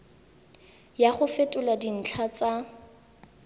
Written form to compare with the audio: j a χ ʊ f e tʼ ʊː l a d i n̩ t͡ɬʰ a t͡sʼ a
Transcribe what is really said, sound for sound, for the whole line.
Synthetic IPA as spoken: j a χ ʊ f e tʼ ʊ l a d i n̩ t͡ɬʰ a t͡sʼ a